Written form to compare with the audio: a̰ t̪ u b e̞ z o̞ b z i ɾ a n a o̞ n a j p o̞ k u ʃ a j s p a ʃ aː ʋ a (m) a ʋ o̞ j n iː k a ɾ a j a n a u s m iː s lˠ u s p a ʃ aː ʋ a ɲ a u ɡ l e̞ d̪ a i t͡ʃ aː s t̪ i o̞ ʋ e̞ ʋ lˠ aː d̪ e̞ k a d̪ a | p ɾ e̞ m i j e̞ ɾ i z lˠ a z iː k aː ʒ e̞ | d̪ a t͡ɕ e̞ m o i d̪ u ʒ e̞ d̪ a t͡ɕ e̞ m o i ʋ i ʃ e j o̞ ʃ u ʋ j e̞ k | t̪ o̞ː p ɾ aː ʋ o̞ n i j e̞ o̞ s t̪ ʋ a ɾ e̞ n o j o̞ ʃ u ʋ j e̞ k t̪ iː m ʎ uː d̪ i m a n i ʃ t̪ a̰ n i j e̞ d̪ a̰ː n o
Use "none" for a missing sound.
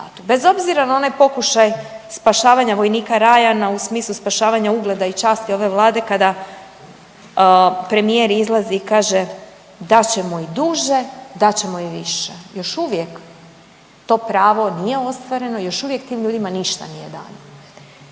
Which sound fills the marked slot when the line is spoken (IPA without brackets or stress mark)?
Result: ɲ